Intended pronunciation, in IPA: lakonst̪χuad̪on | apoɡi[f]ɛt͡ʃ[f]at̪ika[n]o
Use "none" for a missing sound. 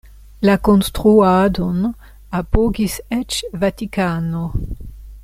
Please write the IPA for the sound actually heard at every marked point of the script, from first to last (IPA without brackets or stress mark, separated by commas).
s, v, n